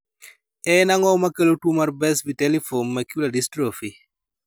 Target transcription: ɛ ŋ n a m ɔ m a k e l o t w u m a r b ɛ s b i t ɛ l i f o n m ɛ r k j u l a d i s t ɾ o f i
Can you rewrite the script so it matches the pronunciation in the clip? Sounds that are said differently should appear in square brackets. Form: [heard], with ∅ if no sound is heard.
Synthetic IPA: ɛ [∅] n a [ŋ] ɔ m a k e l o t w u m a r b ɛ s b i t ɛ l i f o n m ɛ [∅] k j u l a d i s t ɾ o f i

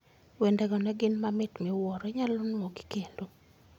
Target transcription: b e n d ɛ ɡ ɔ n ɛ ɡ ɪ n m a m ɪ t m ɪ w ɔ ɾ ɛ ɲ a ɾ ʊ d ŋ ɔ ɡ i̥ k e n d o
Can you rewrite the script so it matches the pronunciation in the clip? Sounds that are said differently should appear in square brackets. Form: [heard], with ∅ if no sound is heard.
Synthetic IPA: [w] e n d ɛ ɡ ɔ n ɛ ɡ ɪ n m a m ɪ t m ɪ w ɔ ɾ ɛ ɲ a [l] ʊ [n] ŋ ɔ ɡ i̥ k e n d o

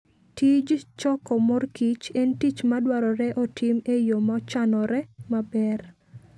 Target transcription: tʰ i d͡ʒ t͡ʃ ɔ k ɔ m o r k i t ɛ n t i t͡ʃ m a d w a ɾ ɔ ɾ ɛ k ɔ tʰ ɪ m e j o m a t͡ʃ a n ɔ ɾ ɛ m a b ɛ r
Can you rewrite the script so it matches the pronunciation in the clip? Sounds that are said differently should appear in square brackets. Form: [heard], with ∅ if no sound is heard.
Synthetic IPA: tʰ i d͡ʒ t͡ʃ ɔ k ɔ m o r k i [t͡ʃ] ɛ n t i t͡ʃ m a d w a ɾ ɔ ɾ ɛ [ʔ] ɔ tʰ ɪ m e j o m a t͡ʃ a n ɔ ɾ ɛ m a b ɛ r

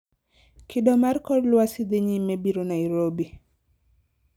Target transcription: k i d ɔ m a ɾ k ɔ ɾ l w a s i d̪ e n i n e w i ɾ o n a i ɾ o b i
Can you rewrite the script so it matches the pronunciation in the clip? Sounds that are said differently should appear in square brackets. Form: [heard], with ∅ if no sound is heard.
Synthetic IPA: k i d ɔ m a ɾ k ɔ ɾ l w a s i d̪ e [ɲ] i [m] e [b] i ɾ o n a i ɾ o b i

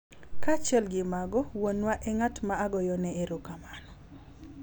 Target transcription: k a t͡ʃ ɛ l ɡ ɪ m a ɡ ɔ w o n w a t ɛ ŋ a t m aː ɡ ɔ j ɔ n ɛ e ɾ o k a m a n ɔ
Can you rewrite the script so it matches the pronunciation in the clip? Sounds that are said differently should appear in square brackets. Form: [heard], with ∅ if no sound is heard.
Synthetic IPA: k a t͡ʃ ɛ l ɡ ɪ m a ɡ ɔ w o n w a [ʔ] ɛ ŋ a t m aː ɡ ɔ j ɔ n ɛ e ɾ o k a m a n ɔ

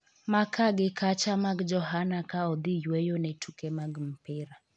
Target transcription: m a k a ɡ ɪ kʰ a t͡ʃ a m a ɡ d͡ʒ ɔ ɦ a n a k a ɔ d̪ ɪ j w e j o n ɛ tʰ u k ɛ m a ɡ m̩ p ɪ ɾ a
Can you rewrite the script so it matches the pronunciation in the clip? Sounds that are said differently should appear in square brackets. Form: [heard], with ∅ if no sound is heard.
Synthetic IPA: m a k a ɡ ɪ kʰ a t͡ʃ a m a ɡ d͡ʒ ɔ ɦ a n a k a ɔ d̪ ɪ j w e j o n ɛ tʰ u k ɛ m a ɡ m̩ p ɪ ɾ a

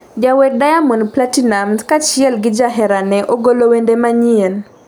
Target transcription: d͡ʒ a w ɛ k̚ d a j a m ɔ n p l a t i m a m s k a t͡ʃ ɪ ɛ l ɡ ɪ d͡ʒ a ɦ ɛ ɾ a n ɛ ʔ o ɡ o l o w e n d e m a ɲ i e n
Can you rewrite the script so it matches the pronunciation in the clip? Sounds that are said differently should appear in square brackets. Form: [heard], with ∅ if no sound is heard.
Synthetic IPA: d͡ʒ a w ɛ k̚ d a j a m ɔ n p l a t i [n] a m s k a t͡ʃ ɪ ɛ l ɡ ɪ d͡ʒ a ɦ ɛ ɾ a n ɛ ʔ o ɡ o l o w e n d e m a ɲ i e n

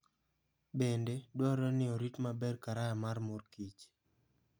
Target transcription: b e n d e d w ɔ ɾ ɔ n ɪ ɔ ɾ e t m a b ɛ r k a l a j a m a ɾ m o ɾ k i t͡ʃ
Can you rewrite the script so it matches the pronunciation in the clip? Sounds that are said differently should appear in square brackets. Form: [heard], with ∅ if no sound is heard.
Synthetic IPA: b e n d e d w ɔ ɾ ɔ n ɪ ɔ ɾ [i] t m a b ɛ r k a [ɾ] a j a m a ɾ m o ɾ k i t͡ʃ

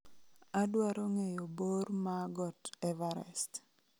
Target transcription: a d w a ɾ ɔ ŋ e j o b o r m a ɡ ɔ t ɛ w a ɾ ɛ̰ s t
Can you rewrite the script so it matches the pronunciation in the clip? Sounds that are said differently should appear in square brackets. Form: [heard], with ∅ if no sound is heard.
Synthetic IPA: a d w a ɾ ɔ ŋ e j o b o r m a ɡ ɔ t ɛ [v] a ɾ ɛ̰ s t

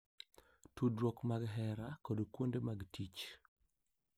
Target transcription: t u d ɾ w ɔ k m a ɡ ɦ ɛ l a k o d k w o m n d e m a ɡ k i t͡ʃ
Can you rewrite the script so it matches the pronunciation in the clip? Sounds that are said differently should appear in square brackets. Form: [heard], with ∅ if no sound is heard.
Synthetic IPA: t u d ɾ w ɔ k m a ɡ ɦ ɛ [ɾ] a k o d k w o [∅] n d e m a ɡ [t] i t͡ʃ

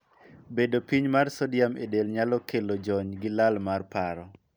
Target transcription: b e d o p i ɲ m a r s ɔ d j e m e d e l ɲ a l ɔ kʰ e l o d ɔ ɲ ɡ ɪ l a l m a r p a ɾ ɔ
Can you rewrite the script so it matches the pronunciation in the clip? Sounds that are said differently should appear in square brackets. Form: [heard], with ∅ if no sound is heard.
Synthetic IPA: b e d o p i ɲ m a r s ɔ d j [a] m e d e l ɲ a l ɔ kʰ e l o [d͡ʒ] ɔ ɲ ɡ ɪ l a l m a r p a ɾ ɔ

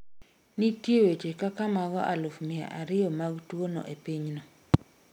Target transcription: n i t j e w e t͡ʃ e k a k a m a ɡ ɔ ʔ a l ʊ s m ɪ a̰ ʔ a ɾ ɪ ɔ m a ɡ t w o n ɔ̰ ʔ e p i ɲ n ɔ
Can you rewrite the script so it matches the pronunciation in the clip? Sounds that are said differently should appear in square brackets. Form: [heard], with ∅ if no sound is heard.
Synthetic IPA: n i t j e w e t͡ʃ e k a k a m a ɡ ɔ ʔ a l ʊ [f] m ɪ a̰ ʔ a ɾ ɪ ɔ m a ɡ t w o n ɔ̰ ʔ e p i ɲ n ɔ

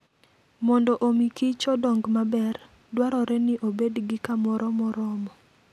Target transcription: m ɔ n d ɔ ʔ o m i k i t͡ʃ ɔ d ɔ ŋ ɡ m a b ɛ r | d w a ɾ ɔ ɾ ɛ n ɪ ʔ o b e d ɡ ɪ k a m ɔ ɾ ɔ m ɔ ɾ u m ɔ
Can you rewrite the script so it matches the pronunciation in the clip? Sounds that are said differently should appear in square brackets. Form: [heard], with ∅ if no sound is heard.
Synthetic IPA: m ɔ n d ɔ ʔ o m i k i t͡ʃ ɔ d ɔ ŋ ɡ m a b ɛ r | d w a ɾ ɔ ɾ ɛ n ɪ ʔ o b e d ɡ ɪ k a m ɔ ɾ ɔ m ɔ ɾ [ɔ] m ɔ

